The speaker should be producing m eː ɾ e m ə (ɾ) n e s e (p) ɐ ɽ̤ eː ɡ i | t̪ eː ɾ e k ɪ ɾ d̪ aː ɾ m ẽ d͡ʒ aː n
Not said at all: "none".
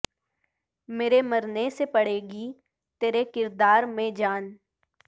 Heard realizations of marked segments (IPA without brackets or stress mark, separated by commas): ɾ, p